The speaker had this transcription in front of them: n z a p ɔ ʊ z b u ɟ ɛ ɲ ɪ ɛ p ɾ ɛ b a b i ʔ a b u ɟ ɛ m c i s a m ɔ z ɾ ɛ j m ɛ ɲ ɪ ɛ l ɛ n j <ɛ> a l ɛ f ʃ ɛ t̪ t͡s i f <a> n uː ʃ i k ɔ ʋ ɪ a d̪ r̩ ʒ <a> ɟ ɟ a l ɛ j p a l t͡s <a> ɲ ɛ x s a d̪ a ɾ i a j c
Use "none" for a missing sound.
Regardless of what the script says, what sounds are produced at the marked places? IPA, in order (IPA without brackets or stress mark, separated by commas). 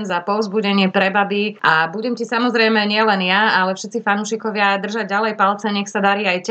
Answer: a, a, a, ɛ